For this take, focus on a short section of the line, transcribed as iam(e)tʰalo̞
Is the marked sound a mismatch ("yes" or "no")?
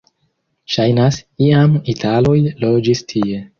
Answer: yes